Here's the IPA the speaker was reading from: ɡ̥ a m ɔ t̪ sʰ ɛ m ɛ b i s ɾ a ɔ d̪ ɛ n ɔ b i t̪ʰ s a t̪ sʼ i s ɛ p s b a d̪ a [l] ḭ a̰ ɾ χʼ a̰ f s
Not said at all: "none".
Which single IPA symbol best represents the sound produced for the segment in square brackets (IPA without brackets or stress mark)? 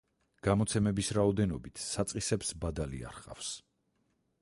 l